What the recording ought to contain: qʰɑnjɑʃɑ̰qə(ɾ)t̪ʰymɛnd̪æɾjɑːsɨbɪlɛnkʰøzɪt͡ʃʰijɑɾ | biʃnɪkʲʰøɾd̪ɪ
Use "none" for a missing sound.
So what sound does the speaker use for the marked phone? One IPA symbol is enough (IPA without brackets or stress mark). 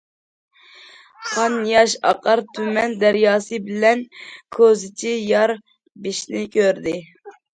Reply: ɾ